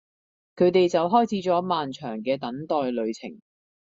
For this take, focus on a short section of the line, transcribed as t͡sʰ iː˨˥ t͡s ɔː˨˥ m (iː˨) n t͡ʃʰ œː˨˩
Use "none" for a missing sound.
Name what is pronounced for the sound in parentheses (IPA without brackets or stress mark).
aː˨